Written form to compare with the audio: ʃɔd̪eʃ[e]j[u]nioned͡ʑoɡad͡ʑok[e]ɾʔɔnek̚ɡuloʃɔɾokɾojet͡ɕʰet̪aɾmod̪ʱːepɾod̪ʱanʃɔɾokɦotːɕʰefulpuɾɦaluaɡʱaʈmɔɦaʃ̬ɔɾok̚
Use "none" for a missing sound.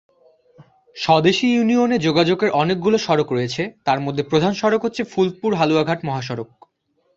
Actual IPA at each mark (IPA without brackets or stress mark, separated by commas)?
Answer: i, u, e